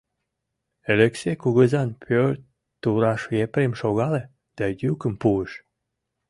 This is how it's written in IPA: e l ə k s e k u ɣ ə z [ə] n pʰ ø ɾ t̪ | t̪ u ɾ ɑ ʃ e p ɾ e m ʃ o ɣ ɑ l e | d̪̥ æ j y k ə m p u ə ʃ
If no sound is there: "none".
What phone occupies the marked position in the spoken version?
ɑ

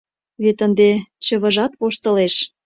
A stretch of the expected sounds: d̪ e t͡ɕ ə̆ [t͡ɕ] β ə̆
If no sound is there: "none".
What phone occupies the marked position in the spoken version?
none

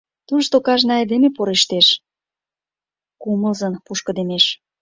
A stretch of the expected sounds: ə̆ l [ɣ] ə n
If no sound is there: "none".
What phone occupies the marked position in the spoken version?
z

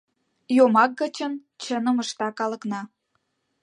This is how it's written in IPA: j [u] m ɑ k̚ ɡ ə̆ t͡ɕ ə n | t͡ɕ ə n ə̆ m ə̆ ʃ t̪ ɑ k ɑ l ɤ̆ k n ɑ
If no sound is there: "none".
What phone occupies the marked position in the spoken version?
o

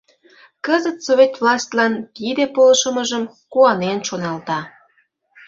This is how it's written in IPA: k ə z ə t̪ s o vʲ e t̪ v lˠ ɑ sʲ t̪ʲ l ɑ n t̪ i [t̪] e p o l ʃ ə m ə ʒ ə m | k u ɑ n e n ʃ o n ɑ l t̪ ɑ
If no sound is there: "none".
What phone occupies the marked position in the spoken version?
d̪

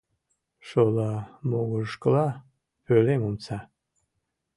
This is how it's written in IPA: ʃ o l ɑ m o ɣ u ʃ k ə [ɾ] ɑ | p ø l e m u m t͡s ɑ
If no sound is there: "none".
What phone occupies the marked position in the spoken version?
l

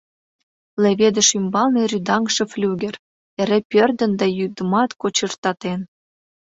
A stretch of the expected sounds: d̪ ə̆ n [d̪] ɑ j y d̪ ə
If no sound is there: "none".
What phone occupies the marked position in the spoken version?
d̪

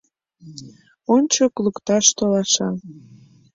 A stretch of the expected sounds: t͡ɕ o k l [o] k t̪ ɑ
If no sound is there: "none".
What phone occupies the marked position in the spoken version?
u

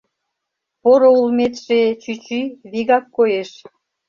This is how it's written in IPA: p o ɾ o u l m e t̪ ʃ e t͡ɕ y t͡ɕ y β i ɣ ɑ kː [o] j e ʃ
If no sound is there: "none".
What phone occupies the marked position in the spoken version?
o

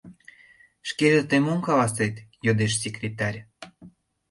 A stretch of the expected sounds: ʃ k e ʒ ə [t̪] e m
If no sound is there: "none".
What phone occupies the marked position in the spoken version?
t̪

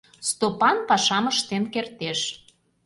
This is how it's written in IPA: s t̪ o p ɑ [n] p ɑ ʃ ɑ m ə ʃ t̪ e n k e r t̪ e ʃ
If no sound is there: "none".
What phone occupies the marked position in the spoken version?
n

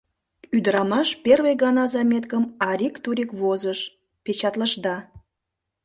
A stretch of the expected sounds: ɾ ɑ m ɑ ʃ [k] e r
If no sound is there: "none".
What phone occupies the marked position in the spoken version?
p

